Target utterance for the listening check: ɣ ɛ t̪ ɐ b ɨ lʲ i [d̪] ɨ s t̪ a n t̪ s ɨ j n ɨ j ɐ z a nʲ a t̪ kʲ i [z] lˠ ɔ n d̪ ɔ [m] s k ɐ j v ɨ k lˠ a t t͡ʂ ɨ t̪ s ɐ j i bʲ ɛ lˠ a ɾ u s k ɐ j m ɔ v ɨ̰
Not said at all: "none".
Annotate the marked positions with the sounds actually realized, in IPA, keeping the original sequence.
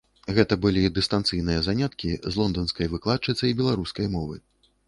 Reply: d̪, z, n

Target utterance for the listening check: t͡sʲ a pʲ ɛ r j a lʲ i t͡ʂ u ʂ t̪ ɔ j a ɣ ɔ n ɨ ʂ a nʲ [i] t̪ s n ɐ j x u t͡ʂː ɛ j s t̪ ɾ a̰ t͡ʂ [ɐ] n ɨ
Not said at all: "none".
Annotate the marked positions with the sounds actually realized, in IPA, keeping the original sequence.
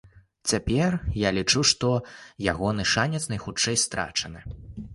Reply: ɛ, ɐ

